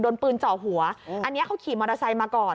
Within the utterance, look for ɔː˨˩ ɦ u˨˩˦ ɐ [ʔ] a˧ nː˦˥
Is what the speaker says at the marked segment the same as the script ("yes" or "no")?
yes